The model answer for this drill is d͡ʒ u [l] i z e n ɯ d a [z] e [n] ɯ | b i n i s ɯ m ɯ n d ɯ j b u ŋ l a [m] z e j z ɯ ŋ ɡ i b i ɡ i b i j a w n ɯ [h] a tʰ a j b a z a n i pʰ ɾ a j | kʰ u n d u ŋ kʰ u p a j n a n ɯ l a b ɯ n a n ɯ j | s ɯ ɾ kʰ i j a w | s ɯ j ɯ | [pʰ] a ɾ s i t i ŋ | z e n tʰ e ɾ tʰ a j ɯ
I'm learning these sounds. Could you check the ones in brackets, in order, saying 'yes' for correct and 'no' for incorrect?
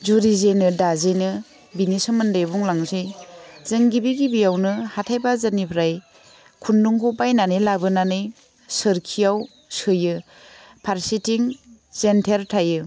no, yes, yes, no, yes, yes

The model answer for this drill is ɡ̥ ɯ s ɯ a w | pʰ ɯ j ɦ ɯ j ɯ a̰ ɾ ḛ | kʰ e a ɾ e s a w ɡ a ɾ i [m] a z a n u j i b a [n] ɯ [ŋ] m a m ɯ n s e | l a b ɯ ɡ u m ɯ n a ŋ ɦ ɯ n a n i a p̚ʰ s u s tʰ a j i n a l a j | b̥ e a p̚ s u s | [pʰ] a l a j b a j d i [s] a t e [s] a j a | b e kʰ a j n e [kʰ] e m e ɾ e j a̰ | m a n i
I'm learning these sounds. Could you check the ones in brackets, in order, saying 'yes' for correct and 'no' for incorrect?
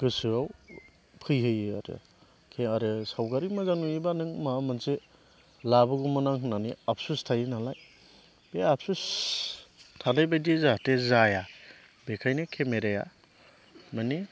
yes, yes, yes, no, no, no, yes

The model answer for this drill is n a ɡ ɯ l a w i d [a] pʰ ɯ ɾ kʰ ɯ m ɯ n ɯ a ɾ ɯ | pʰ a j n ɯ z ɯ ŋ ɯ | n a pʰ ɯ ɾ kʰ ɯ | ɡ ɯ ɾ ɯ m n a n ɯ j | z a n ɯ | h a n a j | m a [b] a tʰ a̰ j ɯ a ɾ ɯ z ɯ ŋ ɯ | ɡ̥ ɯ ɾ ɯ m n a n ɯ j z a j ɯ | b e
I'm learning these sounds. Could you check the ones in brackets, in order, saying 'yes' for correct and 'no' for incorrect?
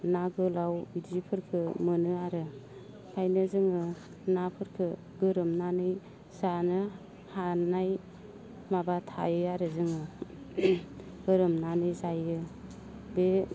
no, yes

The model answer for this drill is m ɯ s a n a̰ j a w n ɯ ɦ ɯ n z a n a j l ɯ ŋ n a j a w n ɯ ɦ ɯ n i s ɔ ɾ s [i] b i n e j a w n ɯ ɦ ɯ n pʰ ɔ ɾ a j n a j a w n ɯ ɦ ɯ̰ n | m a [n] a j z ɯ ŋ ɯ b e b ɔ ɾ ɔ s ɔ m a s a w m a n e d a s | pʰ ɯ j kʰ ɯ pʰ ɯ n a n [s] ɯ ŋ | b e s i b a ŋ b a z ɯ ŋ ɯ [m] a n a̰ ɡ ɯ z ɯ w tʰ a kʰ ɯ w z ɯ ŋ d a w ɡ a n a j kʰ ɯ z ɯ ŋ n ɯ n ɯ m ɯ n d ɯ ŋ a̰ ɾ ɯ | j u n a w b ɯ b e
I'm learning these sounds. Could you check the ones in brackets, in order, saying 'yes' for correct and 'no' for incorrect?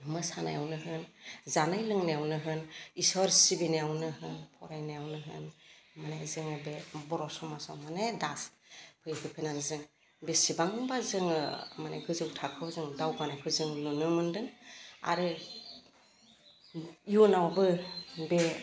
yes, yes, no, yes

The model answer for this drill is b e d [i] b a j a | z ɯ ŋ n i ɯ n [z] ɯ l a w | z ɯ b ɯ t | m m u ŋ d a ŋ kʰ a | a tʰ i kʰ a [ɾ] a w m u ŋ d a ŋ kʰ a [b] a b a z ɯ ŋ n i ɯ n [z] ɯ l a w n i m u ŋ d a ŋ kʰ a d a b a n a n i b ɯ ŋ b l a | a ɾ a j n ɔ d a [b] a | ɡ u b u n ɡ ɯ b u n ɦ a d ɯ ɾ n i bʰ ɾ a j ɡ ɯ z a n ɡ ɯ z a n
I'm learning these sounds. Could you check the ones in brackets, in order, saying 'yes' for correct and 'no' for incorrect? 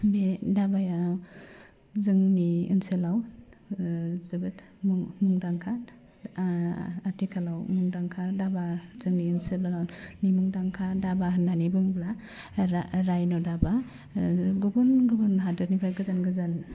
no, no, no, no, no, yes

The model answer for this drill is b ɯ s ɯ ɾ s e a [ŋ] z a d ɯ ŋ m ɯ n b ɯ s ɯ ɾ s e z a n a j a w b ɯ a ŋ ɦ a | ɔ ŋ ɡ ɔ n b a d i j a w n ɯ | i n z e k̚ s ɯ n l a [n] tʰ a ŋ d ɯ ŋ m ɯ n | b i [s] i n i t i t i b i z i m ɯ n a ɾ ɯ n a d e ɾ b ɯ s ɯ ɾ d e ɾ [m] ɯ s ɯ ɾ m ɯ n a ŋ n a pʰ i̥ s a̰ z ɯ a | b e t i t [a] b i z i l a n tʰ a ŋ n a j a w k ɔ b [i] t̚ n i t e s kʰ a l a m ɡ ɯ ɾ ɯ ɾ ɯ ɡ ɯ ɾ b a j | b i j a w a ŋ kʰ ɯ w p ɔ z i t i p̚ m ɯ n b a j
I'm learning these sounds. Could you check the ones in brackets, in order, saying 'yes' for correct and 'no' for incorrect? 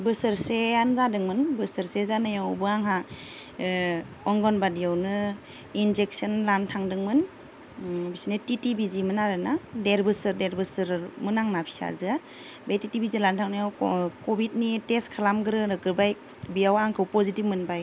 no, yes, yes, no, no, yes

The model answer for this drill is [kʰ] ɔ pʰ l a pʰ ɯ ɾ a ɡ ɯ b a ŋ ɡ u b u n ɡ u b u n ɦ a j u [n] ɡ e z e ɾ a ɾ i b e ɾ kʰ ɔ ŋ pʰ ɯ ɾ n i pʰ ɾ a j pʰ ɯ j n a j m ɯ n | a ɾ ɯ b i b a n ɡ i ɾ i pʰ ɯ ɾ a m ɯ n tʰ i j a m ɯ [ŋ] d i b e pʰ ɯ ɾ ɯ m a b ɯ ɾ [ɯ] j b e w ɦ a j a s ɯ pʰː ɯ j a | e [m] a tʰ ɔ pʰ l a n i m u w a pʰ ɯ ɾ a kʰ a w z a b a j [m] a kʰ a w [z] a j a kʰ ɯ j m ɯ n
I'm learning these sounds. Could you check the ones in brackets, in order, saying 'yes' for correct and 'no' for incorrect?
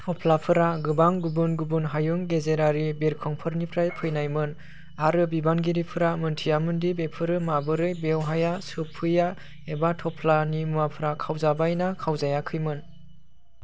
no, no, no, yes, no, no, yes

